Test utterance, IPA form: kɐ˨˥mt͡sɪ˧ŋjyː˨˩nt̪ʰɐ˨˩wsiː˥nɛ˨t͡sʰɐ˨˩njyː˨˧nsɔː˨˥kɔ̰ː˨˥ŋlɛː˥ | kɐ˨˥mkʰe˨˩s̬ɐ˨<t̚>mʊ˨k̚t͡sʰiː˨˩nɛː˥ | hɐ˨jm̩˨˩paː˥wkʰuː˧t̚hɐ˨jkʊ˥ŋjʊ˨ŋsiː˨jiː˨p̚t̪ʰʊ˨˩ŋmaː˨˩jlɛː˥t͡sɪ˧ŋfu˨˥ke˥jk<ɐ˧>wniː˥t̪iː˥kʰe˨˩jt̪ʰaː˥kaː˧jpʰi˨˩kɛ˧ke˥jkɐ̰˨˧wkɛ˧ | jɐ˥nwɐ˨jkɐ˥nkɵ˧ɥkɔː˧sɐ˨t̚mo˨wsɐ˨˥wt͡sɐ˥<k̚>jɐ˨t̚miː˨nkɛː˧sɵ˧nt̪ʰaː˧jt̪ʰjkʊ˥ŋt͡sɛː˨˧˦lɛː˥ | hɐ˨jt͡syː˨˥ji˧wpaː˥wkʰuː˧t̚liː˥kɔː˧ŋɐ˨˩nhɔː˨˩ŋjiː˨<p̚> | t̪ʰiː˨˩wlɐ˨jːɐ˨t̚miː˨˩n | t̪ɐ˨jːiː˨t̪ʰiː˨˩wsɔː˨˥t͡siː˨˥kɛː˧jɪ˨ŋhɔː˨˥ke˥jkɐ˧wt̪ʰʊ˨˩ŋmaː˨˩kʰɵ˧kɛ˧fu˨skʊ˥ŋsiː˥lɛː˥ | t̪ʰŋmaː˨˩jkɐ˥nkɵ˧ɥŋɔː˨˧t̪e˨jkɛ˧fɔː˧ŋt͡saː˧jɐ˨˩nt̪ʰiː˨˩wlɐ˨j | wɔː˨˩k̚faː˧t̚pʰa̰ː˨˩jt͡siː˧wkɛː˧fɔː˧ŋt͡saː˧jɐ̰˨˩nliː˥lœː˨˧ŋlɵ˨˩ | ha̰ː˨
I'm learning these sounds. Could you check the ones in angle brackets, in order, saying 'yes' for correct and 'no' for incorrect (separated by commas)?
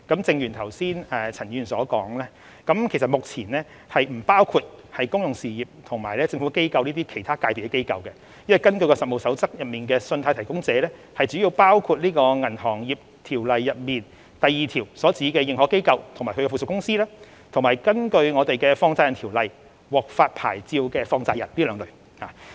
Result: yes, yes, yes, yes